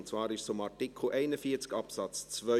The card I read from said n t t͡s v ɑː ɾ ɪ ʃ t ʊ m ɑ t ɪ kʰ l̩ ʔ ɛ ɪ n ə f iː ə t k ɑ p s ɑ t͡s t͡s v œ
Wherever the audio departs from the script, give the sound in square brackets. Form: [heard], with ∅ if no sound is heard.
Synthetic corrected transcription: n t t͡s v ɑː ɾ ɪ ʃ [s] ʊ m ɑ t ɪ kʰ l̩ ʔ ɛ ɪ n ə f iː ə [t͡s] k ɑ p s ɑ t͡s t͡s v œ

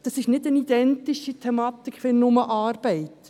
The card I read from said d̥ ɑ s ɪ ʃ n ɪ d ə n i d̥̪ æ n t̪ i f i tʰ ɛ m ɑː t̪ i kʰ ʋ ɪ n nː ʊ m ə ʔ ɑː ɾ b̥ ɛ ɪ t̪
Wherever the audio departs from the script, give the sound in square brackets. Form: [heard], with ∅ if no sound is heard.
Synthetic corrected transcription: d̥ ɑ s ɪ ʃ n ɪ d ə n i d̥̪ [ɛ] n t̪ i [ʃ] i tʰ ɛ m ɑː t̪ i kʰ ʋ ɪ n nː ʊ m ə ʔ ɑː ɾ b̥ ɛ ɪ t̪

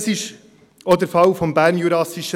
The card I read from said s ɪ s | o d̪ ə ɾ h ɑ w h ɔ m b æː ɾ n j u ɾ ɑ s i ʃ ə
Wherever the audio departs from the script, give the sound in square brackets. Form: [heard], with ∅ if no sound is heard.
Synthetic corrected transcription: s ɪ [ʃ] | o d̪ ə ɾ [f] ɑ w [f] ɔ m b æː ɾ n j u ɾ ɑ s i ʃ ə

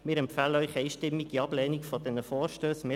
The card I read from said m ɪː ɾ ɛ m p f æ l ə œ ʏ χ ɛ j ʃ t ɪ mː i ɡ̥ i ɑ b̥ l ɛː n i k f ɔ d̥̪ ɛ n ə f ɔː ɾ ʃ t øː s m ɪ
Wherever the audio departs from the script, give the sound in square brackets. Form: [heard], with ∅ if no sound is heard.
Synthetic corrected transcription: m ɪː ɾ ɛ m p f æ l ə œ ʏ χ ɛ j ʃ t ɪ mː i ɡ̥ i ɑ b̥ l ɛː n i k f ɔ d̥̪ ɛ n ə f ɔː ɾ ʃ t øː s m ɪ

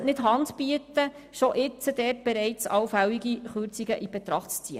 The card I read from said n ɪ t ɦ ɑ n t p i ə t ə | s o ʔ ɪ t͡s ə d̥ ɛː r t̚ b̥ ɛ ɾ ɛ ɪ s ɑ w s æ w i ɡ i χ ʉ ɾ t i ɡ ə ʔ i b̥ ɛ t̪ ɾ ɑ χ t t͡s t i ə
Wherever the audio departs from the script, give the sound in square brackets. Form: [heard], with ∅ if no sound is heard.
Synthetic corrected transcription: n ɪ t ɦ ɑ n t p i ə t ə | [ʃ] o ʔ ɪ t͡s ə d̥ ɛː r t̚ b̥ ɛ ɾ ɛ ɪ [t͡s] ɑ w [f] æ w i ɡ i χ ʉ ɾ [t͡s] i ɡ ə ʔ i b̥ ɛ t̪ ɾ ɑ χ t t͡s [t͡s] i ə

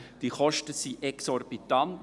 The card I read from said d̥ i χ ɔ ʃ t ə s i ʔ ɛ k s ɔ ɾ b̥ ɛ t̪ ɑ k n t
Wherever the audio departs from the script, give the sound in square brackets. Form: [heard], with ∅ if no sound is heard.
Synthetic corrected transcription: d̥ i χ ɔ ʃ t ə s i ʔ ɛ k s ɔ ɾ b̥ [i] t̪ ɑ [∅] n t

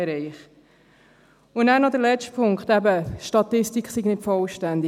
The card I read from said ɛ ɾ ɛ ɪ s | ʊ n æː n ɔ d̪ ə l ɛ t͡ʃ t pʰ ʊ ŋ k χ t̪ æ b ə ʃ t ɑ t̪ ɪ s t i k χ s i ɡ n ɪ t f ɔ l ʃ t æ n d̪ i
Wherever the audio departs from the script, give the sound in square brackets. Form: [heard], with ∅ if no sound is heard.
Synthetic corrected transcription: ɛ ɾ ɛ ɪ [χ] | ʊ n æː n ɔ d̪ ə l ɛ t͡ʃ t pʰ ʊ ŋ k χ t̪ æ b ə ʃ t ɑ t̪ ɪ s t i k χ s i ɡ n ɪ t f ɔ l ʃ t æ n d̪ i

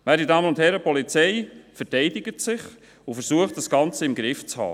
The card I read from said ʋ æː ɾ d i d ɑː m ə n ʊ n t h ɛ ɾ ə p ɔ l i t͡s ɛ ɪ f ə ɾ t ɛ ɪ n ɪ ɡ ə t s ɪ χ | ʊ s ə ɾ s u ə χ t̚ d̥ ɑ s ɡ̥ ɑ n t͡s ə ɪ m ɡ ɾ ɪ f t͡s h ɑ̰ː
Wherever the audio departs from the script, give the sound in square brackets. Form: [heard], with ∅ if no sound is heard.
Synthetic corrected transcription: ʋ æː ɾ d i d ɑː m ə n ʊ n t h ɛ ɾ ə p ɔ l i t͡s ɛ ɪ f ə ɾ t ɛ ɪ [d] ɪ ɡ ə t s ɪ χ | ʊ [f] ə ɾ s u ə χ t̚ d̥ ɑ s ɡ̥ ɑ n t͡s ə ɪ m ɡ ɾ ɪ f t͡s h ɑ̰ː

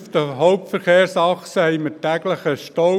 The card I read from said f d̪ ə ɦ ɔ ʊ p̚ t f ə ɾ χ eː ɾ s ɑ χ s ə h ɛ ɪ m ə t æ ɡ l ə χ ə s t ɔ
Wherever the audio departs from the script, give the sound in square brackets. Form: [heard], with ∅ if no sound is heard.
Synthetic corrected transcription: f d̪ ə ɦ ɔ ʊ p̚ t f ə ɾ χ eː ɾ s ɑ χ s ə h ɛ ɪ m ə t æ ɡ l ə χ ə [ʃ] t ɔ

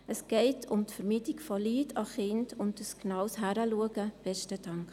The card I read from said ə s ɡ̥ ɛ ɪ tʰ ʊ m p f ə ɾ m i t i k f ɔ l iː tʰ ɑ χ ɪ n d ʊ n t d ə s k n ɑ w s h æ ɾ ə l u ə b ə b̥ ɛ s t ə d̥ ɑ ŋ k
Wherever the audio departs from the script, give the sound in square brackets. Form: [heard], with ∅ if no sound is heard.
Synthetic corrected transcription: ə s ɡ̥ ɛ ɪ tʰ ʊ m [t] f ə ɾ m i t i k f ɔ l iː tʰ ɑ χ ɪ n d ʊ n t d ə s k n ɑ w s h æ ɾ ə l u ə [ɡ] ə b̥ ɛ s t ə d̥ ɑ ŋ k

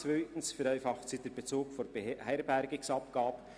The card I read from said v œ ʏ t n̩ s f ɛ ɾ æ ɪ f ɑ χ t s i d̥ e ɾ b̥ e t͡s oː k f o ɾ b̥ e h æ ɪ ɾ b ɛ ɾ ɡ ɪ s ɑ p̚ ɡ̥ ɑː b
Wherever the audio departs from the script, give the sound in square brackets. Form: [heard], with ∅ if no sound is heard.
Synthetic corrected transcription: v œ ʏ t n̩ s f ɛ ɾ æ ɪ f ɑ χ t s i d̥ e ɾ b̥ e t͡s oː k f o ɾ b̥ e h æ ɪ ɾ b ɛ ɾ ɡ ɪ s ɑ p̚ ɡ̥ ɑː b

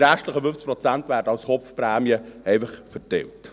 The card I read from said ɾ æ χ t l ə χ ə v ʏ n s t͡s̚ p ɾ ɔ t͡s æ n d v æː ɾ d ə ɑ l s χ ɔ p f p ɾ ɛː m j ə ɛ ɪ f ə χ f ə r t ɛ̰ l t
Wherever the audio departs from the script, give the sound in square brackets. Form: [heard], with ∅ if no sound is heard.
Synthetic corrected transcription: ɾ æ [ʃ] t l ə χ ə [f] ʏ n [f] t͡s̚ p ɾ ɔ t͡s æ n [t] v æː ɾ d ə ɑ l s χ ɔ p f p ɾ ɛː m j ə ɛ ɪ f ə χ f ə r t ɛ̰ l t

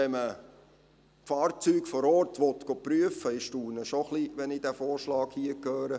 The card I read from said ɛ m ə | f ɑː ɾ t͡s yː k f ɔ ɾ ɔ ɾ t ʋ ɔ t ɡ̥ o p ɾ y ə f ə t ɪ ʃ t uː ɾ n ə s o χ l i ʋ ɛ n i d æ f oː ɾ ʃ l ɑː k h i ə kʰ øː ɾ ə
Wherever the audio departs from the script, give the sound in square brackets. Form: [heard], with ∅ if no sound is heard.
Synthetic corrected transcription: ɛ m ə | f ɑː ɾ t͡s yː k f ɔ ɾ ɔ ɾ t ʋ ɔ t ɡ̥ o p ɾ y ə f ə [∅] ɪ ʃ t uː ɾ n ə [ʃ] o χ l i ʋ ɛ n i d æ f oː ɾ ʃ l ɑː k h i ə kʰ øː ɾ ə

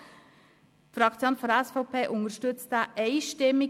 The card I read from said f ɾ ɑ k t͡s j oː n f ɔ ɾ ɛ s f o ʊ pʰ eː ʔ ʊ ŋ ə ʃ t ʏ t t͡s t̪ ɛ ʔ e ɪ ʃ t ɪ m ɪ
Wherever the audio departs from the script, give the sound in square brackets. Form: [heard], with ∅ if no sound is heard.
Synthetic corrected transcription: f ɾ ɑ k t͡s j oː n f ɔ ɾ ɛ s f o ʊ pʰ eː ʔ ʊ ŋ ə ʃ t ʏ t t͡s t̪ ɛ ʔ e ɪ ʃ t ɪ m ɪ

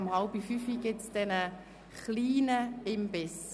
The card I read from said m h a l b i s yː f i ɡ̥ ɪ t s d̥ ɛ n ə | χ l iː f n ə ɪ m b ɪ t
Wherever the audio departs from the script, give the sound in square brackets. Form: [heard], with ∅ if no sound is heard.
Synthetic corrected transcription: m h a l b i [f] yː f i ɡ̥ ɪ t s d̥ ɛ n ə | χ l iː [∅] n ə ɪ m b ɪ [s]

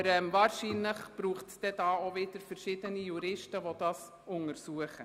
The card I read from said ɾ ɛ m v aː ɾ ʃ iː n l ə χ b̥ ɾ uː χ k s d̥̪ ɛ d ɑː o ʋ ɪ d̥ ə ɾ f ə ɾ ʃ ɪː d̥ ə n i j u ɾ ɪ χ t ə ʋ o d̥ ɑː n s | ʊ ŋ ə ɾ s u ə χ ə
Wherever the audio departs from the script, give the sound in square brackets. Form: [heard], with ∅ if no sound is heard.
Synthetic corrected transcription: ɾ ɛ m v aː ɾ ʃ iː n l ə χ b̥ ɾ uː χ [t] s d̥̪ ɛ d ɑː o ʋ ɪ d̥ ə ɾ f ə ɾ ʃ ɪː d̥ ə n i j u ɾ ɪ [ʃ] t ə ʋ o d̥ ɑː [∅] s | ʊ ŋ ə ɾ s u ə χ ə

